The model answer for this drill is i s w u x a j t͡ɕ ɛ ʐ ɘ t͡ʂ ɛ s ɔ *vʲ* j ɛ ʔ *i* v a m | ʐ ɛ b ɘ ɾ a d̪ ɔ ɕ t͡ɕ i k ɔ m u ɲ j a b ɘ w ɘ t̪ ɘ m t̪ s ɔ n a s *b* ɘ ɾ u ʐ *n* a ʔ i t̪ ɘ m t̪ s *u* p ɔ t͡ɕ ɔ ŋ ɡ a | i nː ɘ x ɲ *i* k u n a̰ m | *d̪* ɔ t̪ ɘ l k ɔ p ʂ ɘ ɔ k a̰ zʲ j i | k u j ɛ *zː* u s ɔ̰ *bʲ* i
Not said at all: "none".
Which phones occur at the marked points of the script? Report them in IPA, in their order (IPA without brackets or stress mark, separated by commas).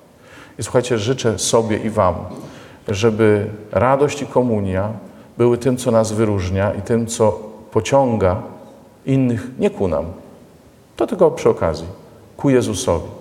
bʲ, i, v, ɲ, ɔ, ɛ, t̪, z, vʲ